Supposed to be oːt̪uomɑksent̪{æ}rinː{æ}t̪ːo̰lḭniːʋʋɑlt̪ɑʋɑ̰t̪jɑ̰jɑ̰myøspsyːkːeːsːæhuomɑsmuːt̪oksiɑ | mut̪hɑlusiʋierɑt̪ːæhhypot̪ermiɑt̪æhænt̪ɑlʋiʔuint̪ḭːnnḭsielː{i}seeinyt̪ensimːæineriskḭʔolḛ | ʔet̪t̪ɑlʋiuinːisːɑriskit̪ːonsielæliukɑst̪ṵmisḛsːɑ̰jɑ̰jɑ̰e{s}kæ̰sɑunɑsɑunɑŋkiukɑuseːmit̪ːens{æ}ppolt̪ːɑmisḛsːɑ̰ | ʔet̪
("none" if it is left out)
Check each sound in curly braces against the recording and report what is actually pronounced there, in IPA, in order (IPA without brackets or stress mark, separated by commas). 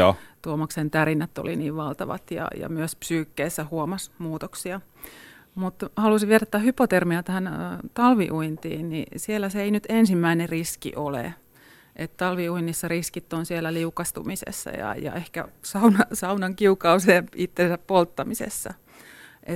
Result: æ, æ, æ, h, æ